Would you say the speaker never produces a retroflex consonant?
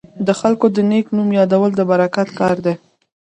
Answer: yes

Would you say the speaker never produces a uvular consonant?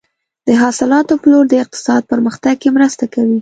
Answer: no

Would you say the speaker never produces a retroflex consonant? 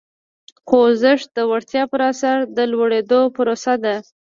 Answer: no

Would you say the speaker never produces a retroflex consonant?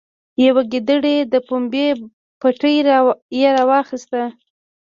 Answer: no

